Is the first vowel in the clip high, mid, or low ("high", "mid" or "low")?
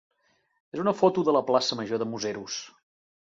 mid